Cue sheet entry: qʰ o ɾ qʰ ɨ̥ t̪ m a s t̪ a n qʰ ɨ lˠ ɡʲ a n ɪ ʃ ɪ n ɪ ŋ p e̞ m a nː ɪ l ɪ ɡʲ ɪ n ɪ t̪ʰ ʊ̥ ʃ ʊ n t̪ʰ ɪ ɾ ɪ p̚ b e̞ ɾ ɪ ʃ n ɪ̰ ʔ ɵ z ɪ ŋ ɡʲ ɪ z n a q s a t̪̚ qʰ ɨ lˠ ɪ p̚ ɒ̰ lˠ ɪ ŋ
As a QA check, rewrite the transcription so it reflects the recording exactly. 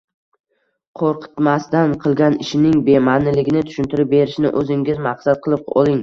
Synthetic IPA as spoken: qʰ o ɾ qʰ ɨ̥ t̪ m a s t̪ a n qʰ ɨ lˠ ɡʲ a n ɪ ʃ ɪ n ɪ ŋ b e̞ m a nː ɪ l ɪ ɡʲ ɪ n ɪ t̪ʰ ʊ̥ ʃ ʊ n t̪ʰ ɪ ɾ ɪ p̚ b e̞ ɾ ɪ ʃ n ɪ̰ ʔ ɵ z ɪ ŋ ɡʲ ɪ z m a q s a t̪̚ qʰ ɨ lˠ ɪ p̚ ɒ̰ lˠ ɪ ŋ